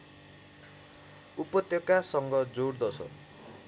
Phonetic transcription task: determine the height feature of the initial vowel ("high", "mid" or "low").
high